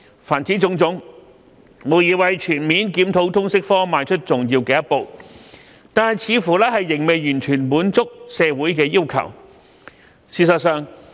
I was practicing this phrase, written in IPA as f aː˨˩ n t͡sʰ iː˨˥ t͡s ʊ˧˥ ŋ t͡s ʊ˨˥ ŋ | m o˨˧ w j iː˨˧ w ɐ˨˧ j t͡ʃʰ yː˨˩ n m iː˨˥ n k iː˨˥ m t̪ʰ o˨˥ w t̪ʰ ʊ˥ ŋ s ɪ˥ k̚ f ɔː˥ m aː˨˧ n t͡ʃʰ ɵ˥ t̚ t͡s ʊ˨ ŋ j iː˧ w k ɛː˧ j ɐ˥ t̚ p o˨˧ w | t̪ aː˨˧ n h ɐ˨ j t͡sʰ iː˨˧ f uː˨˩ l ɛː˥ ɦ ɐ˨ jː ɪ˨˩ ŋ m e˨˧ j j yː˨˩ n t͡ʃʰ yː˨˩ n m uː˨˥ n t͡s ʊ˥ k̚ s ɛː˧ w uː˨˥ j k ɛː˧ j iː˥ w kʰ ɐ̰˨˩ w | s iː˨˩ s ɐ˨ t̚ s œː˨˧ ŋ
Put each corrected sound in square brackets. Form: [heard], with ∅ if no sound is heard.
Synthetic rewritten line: f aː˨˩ n [t͡s] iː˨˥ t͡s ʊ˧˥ ŋ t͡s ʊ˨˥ ŋ | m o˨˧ w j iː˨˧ w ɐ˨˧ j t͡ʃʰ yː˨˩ n m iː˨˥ n k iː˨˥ m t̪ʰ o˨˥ w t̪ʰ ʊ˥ ŋ s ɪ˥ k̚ f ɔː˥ m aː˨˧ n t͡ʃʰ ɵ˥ t̚ t͡s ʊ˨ ŋ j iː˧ w k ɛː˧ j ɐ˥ t̚ p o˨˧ w | t̪ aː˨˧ n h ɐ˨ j t͡sʰ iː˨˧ f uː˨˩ l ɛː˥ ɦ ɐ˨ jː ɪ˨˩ ŋ m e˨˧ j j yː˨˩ n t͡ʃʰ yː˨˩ n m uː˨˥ n t͡s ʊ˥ k̚ s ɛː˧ w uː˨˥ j k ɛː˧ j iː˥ w kʰ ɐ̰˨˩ w | s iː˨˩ s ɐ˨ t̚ s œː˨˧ ŋ

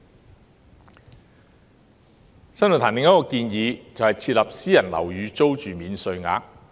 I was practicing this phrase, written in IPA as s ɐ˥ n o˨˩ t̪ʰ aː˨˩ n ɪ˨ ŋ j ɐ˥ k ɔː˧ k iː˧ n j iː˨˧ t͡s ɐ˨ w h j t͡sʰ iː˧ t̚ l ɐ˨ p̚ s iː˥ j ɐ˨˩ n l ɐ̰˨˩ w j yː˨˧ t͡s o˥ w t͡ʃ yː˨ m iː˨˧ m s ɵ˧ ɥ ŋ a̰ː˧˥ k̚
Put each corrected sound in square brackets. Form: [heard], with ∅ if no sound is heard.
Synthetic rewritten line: s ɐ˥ n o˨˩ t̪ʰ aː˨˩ n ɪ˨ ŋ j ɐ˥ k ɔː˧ k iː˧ n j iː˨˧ t͡s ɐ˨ w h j t͡sʰ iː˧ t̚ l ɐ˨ p̚ s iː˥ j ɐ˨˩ n l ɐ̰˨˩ w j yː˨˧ t͡s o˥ w t͡ʃ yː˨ m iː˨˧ [n] s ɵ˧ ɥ ŋ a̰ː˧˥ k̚

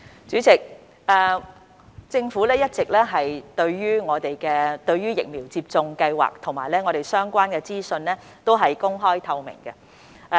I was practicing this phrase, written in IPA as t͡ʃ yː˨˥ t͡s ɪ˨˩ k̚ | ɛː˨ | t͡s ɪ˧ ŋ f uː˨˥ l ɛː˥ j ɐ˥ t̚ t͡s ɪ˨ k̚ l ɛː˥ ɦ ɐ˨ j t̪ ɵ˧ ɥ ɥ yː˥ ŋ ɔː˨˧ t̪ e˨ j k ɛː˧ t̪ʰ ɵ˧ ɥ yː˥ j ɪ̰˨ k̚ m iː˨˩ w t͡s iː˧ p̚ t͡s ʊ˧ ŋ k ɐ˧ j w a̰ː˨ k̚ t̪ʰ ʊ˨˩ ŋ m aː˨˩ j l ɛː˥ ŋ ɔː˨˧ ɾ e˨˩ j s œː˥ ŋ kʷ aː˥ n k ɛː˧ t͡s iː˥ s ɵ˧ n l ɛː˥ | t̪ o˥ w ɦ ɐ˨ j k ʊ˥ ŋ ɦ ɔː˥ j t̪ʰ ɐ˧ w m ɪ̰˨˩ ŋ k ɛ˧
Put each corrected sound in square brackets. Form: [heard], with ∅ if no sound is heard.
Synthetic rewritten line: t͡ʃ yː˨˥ t͡s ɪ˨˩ k̚ | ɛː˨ | t͡s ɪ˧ ŋ f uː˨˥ l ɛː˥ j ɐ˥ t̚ t͡s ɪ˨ k̚ l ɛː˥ ɦ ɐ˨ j t̪ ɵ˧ ɥ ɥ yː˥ ŋ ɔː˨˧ t̪ e˨ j k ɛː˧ [t̪] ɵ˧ ɥ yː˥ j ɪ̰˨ k̚ m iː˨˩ w t͡s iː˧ p̚ t͡s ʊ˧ ŋ k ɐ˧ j w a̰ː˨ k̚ t̪ʰ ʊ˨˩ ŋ m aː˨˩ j l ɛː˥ ŋ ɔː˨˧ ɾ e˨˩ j s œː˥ ŋ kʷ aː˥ n k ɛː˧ t͡s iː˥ s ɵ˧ n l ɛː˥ | t̪ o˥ w ɦ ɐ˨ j k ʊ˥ ŋ ɦ ɔː˥ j t̪ʰ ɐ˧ w m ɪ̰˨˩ ŋ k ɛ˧

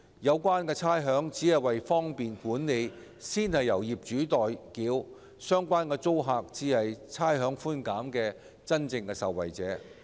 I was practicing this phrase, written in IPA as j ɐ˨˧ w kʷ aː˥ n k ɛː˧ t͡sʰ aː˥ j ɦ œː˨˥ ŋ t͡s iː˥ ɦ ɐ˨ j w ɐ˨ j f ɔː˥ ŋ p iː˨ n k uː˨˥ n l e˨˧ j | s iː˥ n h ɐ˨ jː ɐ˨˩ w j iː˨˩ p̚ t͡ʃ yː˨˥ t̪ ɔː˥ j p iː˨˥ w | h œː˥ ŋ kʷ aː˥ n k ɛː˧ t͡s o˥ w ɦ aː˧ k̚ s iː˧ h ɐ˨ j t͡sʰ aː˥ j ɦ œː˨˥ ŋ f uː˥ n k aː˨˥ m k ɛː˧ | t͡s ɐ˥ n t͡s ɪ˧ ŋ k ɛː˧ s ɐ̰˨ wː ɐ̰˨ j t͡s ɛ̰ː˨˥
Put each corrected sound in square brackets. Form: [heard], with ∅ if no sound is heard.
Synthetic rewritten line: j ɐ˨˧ w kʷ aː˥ n k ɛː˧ t͡sʰ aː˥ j ɦ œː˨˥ ŋ t͡s [iː˨˥] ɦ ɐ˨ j w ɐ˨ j f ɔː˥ ŋ p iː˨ n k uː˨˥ n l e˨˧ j | s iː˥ n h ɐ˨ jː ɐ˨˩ w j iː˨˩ p̚ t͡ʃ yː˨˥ t̪ [ɔː˨] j [k] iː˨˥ w | [s] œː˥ ŋ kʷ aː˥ n k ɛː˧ t͡s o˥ w ɦ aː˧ k̚ [t͡s] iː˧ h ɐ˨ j t͡sʰ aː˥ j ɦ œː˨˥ ŋ f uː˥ n k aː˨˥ m k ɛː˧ | t͡s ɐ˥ n t͡s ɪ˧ ŋ k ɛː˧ s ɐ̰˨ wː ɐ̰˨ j t͡s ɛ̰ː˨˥

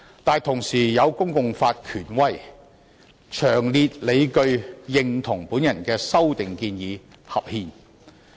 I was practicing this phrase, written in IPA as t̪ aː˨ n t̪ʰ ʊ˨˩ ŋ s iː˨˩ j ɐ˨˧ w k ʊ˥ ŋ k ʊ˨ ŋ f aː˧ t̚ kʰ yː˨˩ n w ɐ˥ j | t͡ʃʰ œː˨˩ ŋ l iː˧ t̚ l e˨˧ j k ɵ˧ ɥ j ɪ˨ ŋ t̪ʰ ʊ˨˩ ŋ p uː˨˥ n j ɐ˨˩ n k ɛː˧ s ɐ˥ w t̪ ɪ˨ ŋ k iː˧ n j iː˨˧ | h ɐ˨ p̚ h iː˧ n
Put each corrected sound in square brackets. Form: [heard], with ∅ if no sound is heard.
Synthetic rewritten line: t̪ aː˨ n t̪ʰ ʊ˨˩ ŋ s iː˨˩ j ɐ˨˧ w k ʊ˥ ŋ k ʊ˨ ŋ f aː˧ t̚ kʰ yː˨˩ n w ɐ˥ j | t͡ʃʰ œː˨˩ ŋ l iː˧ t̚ l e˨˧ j k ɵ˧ ɥ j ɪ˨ ŋ t̪ʰ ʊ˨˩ ŋ p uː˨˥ n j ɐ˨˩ n k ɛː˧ s ɐ˥ w t̪ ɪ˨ ŋ k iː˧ n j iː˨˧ | h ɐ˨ p̚ h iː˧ n

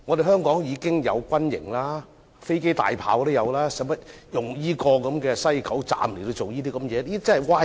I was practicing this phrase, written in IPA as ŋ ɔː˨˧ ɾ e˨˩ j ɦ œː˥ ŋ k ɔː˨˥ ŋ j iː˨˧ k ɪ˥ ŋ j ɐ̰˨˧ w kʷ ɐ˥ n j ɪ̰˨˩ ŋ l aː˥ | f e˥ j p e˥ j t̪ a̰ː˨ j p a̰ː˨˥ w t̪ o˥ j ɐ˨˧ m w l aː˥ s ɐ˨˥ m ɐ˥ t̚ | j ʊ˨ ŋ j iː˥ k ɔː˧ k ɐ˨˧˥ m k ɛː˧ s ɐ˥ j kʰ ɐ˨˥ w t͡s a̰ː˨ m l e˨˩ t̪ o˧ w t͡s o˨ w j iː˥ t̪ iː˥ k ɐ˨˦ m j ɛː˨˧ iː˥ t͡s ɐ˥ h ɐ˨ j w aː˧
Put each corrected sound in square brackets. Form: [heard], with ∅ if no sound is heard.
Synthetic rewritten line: ŋ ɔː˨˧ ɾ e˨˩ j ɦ œː˥ ŋ k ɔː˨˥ ŋ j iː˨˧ k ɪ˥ ŋ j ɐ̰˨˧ w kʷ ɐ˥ n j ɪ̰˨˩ ŋ l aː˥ | f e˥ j [k] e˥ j t̪ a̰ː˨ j [pʰ] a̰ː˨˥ w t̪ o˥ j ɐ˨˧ [∅] w l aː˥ s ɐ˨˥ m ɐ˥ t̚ | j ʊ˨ ŋ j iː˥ k ɔː˧ k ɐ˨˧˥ m k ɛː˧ s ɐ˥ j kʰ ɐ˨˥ w t͡s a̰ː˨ m l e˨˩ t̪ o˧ w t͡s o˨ w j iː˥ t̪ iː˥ k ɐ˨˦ m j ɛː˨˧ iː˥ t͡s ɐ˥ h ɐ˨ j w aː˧

